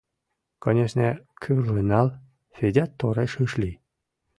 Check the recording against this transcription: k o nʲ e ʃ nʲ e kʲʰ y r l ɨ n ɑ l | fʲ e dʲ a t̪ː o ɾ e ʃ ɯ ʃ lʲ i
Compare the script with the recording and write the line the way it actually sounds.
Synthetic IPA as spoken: k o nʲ e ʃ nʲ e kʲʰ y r l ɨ n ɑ l | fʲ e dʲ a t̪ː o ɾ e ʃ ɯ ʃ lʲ i